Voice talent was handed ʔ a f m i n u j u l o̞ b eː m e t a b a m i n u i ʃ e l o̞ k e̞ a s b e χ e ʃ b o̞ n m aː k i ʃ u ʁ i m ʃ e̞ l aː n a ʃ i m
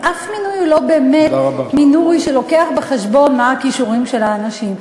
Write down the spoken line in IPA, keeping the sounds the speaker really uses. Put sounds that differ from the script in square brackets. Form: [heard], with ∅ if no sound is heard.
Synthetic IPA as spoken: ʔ a f m i n u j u l o̞ b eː m e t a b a m i n u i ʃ e l o̞ k e̞ a [χ] b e χ e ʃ b o̞ n m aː k i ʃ u ʁ i m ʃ e̞ l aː n a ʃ i m